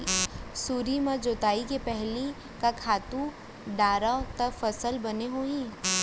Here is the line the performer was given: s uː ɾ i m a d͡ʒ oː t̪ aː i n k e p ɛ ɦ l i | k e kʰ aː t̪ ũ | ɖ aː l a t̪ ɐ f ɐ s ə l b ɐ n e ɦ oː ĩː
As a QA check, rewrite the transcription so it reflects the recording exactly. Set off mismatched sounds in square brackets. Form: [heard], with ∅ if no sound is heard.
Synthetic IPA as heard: s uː ɾ i m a d͡ʒ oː t̪ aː i [∅] k e p ɛ ɦ l i | k [a] kʰ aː t̪ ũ | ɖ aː [ɾ] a t̪ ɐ f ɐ s ə l b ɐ n e ɦ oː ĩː